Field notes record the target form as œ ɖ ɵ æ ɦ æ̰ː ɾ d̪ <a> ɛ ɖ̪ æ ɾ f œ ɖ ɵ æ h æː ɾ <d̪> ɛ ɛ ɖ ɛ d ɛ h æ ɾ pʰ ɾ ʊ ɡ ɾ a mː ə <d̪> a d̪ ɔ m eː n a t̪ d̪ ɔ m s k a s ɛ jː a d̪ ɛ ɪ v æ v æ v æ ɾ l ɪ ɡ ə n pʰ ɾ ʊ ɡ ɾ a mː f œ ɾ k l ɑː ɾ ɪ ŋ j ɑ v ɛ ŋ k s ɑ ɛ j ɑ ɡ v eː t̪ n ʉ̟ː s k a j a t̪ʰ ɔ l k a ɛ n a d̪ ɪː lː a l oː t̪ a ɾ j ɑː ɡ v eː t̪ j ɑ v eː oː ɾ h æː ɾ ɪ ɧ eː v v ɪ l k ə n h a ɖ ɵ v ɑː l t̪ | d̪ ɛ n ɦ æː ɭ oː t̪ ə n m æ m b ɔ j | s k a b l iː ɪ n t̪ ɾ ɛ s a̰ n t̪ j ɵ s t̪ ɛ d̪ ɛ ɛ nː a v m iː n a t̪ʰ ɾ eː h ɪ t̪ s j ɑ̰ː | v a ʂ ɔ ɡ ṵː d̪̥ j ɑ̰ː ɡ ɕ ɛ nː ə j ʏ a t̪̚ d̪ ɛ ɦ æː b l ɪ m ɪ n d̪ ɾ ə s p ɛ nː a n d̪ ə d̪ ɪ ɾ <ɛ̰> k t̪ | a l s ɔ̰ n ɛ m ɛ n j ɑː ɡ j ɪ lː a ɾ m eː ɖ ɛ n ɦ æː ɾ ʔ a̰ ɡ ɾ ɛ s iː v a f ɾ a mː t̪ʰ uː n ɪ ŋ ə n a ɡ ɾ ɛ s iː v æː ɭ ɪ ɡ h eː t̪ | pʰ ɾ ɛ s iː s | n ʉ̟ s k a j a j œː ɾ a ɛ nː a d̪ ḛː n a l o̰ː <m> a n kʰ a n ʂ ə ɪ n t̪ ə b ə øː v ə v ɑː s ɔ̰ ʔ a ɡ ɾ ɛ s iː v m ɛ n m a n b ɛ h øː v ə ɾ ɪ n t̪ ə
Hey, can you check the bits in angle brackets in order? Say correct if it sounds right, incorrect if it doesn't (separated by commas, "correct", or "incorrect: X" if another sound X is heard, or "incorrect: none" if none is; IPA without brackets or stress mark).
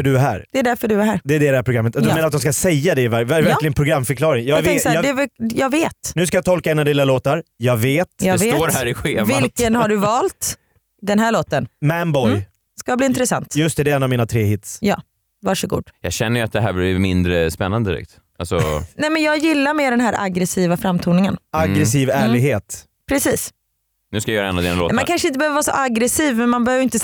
incorrect: ɛ, correct, incorrect: t̪, correct, correct